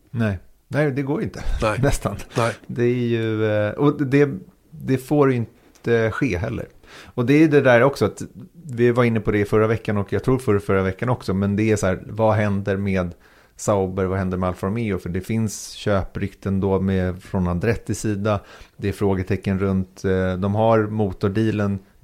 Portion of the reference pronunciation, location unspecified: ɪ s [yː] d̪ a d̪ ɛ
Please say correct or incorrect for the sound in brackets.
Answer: incorrect